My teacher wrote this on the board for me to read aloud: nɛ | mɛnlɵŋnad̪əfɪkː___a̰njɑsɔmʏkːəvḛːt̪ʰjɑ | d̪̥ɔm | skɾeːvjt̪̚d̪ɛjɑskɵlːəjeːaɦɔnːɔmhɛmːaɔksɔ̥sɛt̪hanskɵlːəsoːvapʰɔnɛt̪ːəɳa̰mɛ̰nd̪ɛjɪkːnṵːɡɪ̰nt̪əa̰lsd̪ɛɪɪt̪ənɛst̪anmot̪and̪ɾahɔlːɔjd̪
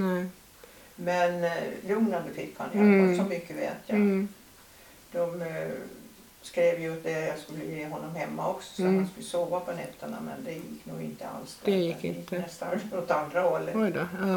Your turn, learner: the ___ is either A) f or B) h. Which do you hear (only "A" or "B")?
B